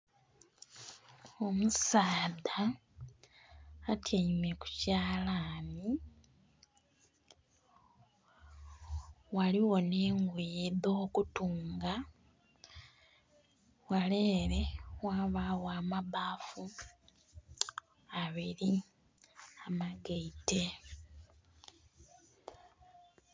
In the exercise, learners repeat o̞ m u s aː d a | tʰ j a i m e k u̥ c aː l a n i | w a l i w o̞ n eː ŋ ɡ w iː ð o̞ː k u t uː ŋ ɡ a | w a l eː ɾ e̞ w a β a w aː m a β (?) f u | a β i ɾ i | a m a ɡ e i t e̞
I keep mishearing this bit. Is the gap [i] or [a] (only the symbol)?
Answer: a